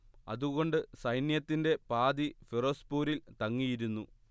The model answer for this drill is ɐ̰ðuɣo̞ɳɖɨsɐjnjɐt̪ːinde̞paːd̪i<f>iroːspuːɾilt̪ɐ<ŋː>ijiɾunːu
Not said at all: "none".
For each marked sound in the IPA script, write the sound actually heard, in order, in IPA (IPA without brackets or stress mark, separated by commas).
f, ŋː